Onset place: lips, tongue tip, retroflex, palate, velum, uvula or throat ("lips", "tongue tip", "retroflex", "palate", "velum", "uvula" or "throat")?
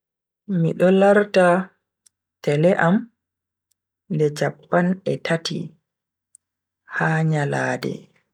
lips